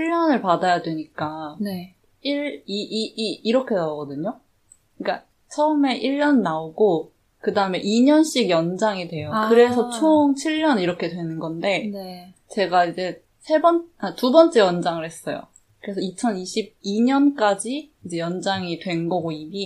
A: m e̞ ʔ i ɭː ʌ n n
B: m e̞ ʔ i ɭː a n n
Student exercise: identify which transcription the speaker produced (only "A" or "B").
A